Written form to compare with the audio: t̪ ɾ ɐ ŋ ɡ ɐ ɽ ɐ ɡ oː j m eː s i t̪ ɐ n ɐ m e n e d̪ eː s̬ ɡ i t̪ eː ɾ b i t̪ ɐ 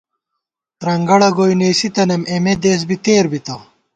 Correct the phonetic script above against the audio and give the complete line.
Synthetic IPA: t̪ ɾ ɐ ŋ ɡ ɐ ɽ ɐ ɡ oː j n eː s i t̪ ɐ n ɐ m e m e d̪ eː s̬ b i t̪ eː ɾ b i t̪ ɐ